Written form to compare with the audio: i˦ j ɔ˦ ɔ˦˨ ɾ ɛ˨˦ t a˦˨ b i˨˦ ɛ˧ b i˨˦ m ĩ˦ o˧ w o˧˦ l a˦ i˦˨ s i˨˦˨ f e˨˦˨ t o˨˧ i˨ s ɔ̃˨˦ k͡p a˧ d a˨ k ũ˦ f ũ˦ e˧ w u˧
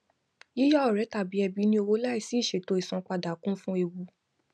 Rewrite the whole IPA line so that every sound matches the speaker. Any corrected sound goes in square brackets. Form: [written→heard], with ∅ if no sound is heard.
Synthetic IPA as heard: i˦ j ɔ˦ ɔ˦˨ ɾ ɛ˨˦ t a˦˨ b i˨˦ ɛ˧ b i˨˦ [m→n] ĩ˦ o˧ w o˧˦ l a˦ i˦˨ s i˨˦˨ [f→ʃ] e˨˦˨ t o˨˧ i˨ s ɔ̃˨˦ k͡p a˧ d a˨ k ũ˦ f ũ˦ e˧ w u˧